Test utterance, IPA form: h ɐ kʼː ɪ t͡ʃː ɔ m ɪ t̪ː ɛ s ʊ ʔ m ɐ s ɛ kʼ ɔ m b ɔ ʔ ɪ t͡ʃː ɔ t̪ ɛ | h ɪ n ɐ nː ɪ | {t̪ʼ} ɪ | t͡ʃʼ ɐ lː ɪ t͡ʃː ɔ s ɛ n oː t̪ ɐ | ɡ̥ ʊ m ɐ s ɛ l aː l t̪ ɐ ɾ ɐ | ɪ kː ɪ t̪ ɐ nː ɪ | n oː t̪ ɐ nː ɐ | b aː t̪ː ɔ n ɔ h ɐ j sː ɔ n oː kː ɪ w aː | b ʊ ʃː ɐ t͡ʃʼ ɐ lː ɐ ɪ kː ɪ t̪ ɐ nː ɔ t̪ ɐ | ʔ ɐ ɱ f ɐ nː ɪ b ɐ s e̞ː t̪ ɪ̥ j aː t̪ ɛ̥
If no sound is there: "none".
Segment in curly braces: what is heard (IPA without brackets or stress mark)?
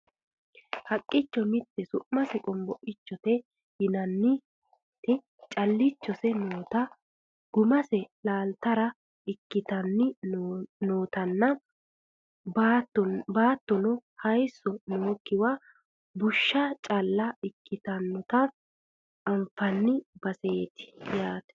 t̪